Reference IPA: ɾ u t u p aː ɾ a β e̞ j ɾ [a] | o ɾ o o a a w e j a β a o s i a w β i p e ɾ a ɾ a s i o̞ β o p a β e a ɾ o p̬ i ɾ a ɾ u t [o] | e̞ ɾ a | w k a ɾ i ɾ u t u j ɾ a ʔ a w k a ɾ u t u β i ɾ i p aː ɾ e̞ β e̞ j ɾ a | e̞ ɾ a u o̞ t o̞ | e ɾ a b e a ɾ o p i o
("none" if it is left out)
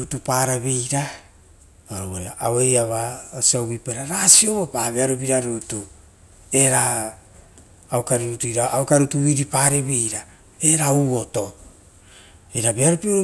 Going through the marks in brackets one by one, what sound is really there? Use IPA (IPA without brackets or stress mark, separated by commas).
a, u